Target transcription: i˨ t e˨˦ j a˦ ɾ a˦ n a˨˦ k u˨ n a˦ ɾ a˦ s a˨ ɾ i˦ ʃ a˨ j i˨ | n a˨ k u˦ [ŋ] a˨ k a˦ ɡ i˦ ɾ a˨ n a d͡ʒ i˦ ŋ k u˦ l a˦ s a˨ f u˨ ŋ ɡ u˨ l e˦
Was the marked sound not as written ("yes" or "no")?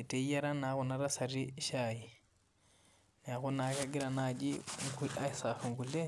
yes